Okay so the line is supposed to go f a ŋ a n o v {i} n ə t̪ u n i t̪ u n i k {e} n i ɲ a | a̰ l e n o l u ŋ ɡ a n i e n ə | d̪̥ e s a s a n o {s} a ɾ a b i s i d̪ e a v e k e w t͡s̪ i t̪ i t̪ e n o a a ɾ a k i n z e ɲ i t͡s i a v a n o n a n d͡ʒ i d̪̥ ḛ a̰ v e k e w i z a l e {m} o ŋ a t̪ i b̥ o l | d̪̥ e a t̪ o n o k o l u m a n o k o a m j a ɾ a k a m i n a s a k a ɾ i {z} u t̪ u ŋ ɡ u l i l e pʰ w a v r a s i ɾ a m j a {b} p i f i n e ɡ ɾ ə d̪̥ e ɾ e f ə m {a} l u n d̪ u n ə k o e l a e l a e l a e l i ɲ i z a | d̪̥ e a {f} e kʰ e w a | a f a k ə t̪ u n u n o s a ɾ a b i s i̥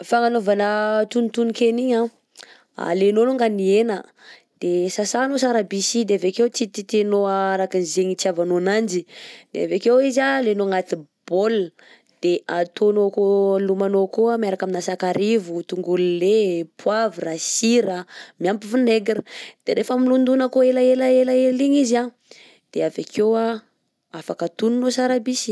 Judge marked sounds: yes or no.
no, yes, yes, no, no, no, no, no

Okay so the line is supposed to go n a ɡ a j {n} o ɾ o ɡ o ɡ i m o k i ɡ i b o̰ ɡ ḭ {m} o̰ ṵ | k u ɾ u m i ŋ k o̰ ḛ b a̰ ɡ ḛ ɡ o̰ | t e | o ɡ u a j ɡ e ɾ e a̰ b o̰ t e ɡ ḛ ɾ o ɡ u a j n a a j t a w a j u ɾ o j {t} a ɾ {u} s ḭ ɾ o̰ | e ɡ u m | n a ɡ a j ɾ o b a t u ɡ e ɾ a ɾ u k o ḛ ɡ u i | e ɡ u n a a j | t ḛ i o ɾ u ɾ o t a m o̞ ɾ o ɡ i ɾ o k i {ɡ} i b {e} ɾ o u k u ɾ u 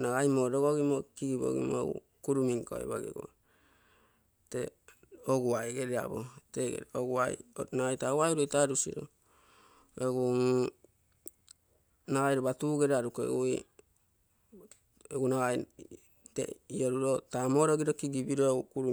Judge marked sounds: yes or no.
no, yes, yes, yes, yes, no

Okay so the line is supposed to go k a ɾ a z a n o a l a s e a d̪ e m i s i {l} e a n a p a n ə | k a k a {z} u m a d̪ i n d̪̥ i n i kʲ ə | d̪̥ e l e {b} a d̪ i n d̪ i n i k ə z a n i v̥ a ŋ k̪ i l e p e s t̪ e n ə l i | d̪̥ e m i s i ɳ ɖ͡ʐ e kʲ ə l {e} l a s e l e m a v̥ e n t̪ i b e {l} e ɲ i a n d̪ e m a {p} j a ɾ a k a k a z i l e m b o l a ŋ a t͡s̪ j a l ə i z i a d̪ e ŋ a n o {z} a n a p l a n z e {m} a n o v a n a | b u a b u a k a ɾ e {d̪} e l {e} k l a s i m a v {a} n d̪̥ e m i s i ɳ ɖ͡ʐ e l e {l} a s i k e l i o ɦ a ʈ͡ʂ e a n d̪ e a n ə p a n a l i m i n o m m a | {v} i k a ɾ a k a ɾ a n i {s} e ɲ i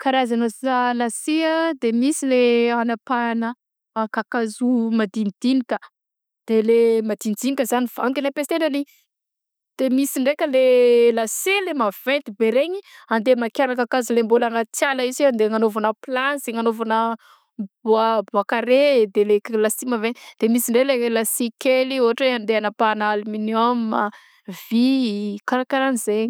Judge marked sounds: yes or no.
yes, yes, no, yes, no, no, no, no, yes, yes, no, yes, yes, no

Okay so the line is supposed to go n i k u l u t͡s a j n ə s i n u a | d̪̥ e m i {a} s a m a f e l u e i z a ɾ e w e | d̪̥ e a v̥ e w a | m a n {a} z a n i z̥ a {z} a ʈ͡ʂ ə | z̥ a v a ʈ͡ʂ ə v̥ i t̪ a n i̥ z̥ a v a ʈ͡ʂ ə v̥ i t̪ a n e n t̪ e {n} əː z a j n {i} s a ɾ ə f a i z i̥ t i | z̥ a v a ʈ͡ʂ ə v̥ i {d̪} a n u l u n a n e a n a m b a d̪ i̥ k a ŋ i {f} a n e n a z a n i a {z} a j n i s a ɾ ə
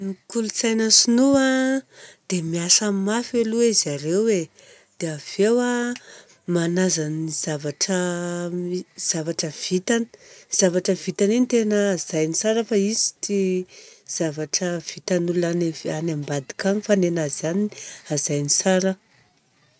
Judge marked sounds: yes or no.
yes, yes, no, yes, yes, no, yes, yes

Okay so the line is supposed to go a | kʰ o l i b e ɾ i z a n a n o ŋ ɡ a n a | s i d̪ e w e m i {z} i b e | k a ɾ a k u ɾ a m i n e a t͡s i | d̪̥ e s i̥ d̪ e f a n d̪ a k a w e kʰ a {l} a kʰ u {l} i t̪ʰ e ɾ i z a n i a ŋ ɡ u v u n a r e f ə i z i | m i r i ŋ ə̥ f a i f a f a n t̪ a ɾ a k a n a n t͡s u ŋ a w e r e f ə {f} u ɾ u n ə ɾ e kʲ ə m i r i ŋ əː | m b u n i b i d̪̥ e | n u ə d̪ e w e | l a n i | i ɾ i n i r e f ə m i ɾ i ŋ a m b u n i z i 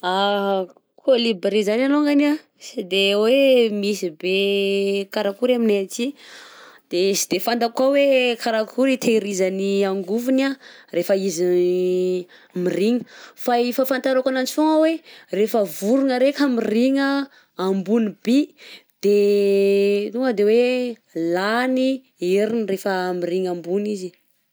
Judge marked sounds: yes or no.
no, no, no, no

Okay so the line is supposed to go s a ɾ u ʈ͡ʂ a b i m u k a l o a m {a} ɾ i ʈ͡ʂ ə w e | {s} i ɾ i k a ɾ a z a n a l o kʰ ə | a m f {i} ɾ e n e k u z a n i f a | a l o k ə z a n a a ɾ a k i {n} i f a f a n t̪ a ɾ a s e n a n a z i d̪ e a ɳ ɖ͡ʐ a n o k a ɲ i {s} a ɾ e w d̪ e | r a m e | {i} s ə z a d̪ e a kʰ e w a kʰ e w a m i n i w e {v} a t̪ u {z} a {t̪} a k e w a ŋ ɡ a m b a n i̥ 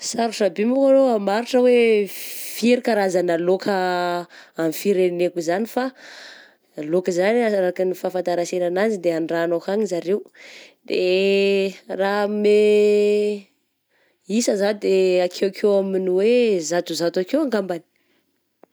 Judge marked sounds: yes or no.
yes, no, yes, yes, no, yes, no, yes, yes

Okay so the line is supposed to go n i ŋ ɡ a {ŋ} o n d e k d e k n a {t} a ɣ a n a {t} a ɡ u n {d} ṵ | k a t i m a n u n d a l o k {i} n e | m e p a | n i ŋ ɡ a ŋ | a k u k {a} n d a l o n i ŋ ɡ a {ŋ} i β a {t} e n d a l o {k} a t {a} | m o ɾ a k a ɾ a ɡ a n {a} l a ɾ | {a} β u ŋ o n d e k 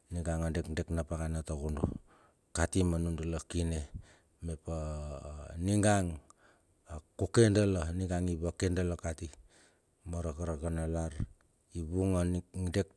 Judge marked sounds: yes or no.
yes, no, yes, yes, yes, no, yes, no, yes, no, yes, no

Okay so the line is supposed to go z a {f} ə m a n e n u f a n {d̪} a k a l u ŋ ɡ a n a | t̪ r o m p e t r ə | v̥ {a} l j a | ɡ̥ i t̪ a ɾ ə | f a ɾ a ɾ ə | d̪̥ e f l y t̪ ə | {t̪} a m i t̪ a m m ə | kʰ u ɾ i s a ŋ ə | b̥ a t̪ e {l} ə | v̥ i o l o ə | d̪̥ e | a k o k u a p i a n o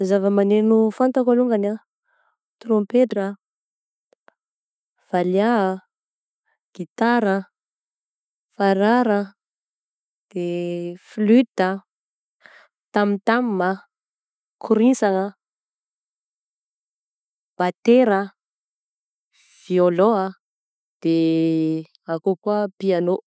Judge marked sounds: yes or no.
no, no, yes, yes, no

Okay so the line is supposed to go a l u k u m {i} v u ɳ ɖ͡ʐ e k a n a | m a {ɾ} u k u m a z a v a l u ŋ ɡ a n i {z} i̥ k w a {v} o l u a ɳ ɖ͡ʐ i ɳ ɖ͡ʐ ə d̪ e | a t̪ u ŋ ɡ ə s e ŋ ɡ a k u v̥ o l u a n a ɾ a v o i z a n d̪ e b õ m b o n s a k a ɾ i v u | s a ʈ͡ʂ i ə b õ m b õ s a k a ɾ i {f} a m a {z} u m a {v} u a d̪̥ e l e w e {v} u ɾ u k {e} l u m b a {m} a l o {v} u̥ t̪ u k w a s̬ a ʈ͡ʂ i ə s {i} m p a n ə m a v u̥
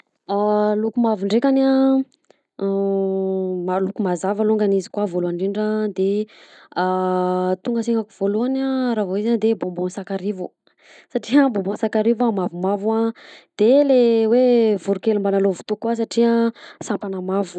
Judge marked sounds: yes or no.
no, no, yes, yes, no, no, yes, yes, yes, no, yes, no

